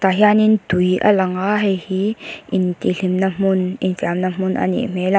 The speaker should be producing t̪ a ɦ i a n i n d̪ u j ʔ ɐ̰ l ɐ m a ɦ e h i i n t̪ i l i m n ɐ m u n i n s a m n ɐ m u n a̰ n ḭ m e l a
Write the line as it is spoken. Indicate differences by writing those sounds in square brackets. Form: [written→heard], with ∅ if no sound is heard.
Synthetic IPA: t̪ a ɦ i a n i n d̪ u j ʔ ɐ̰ l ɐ [m→ŋ] a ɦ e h i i n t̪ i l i m n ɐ m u n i n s a m n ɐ m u n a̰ n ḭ m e l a